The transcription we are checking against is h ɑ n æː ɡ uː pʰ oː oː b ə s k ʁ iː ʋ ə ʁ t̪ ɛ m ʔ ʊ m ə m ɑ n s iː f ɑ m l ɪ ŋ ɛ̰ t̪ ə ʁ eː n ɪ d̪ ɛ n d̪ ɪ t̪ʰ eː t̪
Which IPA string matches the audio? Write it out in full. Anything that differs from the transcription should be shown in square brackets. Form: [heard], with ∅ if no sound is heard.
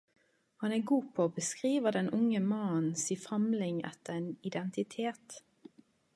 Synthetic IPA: h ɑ n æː ɡ uː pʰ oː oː b ə s k ʁ iː ʋ ə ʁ [d̪] ɛ [n] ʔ ʊ [ŋ] ə m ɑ n s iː f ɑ m l ɪ ŋ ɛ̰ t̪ ə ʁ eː n ɪ d̪ ɛ n [t̪] ɪ t̪ʰ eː t̪